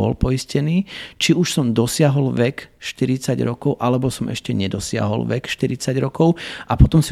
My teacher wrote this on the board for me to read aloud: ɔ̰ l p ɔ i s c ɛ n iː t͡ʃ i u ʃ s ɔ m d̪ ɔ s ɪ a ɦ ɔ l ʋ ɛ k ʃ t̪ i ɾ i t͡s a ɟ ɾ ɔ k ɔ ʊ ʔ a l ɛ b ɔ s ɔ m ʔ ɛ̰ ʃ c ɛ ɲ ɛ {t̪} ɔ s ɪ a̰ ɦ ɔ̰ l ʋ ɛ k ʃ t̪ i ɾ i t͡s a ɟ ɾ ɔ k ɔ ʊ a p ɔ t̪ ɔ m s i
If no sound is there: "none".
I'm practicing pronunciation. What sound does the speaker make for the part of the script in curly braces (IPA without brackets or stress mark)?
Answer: d̪